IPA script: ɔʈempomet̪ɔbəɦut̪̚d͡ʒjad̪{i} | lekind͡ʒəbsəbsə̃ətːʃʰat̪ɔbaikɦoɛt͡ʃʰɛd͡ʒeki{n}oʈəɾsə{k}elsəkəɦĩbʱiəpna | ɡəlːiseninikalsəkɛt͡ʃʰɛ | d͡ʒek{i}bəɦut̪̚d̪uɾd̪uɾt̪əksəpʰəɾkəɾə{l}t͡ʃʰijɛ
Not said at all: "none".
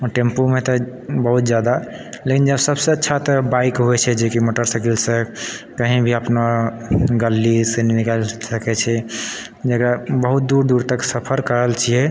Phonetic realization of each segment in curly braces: a, m, k, a, l

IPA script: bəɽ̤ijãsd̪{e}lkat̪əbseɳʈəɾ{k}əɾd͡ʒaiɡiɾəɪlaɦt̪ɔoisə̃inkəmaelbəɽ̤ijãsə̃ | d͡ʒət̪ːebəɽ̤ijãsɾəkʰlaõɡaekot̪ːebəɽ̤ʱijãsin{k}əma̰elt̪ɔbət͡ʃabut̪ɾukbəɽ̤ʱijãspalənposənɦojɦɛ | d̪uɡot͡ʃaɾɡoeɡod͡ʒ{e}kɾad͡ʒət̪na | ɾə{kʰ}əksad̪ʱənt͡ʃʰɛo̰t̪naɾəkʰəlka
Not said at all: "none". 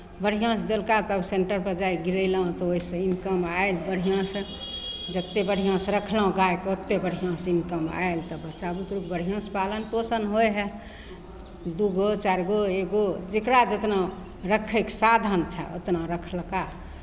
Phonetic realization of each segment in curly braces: e, p, k, e, kʰ

